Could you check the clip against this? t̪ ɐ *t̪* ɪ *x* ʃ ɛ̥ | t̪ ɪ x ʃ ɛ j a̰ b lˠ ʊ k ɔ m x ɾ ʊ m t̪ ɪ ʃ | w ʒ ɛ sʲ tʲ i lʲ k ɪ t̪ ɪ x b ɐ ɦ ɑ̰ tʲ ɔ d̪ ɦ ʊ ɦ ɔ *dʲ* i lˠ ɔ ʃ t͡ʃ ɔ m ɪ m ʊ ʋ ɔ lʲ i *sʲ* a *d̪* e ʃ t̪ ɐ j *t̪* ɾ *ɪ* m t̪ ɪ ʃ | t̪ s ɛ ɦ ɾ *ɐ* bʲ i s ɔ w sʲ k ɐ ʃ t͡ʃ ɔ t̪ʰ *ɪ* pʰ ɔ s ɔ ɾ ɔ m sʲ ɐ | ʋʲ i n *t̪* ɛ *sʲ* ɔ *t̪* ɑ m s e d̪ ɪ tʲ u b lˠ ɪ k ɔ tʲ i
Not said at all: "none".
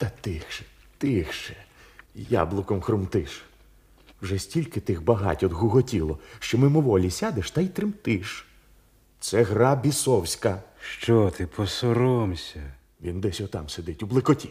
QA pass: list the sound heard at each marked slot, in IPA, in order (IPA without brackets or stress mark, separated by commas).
t̪, x, tʲ, sʲ, d̪, t̪, ɪ, ɑ, ɪ, d̪, sʲ, t̪